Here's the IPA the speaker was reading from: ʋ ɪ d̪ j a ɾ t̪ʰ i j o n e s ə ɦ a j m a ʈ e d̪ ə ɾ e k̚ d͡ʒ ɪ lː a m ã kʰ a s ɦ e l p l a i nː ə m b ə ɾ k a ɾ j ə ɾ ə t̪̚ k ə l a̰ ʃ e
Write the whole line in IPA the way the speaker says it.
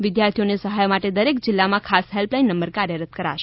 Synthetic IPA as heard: ʋ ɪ d̪ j a ɾ t̪ʰ i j o n e s ə ɦ a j m a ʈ e d̪ ə ɾ e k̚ d͡ʒ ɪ lː a m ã kʰ a s ɦ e l p l a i nː ə m b ə ɾ k a ɾ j ə ɾ ə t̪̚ k ə ɾ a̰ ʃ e